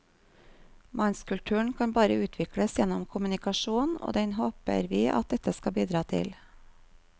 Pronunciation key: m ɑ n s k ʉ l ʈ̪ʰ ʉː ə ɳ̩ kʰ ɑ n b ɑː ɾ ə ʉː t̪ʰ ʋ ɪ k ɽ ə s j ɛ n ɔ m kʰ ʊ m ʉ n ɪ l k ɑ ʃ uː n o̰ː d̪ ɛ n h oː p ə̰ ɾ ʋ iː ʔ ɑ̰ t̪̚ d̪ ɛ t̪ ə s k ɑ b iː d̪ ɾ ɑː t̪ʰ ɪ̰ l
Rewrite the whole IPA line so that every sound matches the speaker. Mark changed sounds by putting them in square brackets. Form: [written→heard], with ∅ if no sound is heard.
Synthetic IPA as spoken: m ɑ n s k ʉ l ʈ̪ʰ ʉː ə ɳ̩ kʰ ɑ n b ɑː ɾ ə ʉː t̪ʰ ʋ ɪ k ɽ ə s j ɛ n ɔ m kʰ ʊ m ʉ n ɪ [l→∅] k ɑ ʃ uː n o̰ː d̪ ɛ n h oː p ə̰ ɾ ʋ iː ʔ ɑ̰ t̪̚ d̪ ɛ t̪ ə s k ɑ b iː d̪ ɾ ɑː t̪ʰ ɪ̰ l